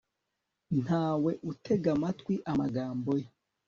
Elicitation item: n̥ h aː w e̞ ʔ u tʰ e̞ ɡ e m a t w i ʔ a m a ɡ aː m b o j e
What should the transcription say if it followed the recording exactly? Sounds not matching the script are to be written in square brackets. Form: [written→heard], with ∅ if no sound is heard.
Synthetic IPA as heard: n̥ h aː w e̞ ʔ u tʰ e̞ ɡ [e→a] m a t w i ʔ a m a ɡ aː m b o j e